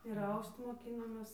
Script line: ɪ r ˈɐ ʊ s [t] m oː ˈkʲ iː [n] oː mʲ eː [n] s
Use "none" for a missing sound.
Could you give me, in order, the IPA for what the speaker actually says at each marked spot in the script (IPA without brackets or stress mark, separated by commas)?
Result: t, n, none